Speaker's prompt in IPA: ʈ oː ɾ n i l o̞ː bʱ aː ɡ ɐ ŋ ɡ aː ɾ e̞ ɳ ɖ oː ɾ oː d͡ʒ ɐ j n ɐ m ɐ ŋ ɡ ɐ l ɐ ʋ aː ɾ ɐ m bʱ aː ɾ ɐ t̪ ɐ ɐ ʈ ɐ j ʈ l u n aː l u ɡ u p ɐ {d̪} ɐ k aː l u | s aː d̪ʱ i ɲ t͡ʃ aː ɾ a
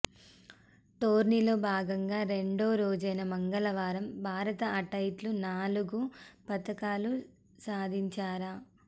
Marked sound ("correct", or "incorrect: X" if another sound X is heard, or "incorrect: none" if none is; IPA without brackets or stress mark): incorrect: t̪